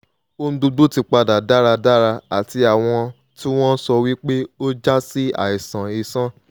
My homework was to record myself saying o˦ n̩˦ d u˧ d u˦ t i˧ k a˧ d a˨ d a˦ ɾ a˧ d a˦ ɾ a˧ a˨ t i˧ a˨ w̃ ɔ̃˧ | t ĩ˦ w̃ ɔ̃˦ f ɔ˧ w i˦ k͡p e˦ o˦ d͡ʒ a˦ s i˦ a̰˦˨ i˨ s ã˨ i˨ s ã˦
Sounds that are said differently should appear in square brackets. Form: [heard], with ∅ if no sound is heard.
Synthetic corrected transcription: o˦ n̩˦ d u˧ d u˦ t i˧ [k͡p] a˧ d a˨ d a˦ ɾ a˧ d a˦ ɾ a˧ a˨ t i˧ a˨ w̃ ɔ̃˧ | t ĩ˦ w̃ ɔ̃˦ [s] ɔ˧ w i˦ k͡p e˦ o˦ d͡ʒ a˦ s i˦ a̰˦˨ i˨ s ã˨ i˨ s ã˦